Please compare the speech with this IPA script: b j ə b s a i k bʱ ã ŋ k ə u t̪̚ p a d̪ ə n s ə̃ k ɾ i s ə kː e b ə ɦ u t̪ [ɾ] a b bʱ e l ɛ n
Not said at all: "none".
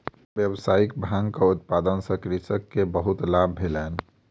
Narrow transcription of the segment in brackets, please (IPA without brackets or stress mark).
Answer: l